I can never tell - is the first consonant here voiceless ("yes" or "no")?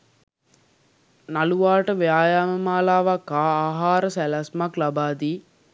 no